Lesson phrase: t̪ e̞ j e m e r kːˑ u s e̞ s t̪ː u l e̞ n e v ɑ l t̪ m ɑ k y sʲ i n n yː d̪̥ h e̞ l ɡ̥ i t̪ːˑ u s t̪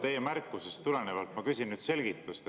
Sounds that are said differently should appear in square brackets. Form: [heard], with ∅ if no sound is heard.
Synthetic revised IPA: t̪ e̞ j e m [æ] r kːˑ u s e̞ s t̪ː u l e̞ n e v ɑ l t̪ m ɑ k y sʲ i n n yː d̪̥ [s] e̞ l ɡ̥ i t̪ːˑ u s t̪